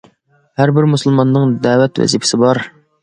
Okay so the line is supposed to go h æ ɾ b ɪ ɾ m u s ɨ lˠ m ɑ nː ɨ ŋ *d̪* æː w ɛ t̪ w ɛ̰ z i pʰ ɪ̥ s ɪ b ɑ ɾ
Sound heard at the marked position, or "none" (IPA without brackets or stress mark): d̪